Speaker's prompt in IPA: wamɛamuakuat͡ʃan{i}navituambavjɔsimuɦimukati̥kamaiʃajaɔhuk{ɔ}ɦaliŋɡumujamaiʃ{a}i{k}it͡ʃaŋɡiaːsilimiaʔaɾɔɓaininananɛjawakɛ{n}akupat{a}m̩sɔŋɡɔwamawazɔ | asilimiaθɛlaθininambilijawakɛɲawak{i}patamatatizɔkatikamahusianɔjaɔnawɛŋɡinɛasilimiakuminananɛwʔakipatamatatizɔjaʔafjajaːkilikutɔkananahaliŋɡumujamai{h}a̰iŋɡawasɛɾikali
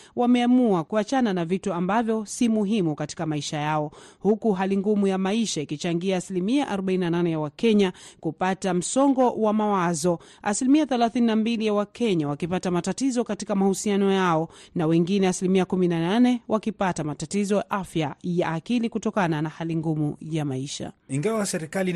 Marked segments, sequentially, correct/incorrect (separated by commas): incorrect, incorrect, correct, correct, incorrect, correct, correct, incorrect